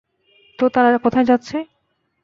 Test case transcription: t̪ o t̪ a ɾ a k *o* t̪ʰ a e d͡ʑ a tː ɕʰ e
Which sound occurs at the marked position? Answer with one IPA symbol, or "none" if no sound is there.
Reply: ɔ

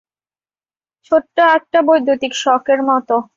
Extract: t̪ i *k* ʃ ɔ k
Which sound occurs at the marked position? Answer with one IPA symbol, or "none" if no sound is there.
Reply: k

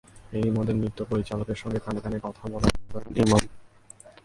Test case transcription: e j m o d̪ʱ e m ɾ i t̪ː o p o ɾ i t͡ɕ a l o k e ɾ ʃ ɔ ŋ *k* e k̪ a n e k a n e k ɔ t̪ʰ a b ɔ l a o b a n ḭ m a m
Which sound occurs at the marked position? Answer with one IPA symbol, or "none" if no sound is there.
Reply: ɡ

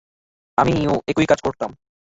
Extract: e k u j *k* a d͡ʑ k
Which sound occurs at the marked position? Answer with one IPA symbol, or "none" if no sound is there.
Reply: k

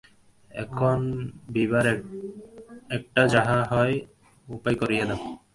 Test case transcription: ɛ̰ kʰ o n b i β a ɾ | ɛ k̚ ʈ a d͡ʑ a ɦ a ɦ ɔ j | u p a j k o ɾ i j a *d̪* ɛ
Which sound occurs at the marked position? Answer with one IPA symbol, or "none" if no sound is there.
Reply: d̪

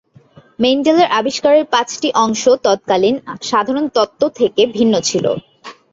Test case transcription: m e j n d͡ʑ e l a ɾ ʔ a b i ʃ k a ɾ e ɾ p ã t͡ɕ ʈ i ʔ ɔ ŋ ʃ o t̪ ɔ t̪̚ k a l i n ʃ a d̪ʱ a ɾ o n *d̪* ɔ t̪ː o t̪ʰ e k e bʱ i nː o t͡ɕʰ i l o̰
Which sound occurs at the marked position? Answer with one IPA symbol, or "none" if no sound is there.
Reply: t̪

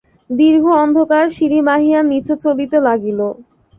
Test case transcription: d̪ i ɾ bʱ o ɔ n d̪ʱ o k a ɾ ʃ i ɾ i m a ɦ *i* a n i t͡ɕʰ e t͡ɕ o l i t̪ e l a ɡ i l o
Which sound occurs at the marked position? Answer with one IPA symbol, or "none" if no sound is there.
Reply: i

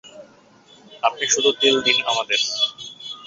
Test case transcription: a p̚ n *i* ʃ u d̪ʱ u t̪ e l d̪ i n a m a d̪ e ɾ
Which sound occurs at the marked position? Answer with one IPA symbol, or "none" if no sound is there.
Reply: i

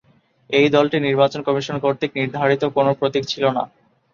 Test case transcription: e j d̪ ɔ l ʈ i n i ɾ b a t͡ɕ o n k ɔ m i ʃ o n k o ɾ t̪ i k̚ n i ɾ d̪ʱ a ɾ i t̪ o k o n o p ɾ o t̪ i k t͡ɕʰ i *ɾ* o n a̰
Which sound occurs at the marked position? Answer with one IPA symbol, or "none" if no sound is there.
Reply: l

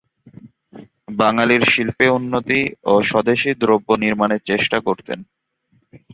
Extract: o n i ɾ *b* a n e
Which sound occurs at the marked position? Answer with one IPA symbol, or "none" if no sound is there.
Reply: m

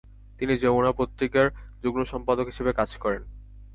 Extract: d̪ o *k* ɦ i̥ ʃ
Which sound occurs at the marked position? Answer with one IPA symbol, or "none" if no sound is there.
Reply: k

